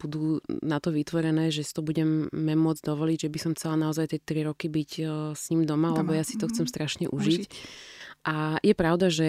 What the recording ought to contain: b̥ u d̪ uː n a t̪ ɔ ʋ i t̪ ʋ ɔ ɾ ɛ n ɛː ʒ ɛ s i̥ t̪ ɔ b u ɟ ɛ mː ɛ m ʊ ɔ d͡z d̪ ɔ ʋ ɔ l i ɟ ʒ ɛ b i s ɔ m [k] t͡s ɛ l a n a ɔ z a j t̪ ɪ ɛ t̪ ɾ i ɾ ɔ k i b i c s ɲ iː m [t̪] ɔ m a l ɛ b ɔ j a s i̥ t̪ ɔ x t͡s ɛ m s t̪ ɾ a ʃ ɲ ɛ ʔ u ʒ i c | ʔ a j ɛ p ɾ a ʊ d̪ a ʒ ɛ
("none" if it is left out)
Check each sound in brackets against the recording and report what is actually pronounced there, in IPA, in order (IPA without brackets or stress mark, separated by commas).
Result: x, d̪